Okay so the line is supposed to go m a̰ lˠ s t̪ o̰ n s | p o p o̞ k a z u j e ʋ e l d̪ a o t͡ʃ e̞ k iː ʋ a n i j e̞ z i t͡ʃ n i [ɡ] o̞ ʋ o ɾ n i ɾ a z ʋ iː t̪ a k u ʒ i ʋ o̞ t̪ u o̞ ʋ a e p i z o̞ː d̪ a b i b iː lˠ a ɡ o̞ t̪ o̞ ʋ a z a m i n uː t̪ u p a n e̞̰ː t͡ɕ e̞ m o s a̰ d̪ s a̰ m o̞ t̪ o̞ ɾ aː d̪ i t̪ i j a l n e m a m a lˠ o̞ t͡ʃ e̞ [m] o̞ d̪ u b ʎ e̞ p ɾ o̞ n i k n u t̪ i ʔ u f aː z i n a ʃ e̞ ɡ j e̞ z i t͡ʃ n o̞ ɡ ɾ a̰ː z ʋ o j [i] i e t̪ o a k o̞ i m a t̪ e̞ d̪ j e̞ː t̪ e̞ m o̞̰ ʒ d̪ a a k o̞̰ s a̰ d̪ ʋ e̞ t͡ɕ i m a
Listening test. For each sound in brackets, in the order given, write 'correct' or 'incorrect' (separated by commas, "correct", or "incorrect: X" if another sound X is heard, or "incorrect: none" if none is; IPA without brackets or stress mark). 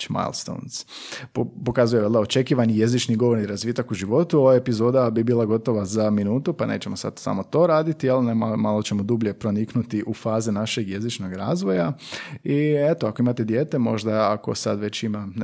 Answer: correct, correct, incorrect: a